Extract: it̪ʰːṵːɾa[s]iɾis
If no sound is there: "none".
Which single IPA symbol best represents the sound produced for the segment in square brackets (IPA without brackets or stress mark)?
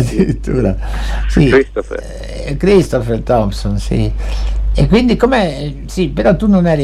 s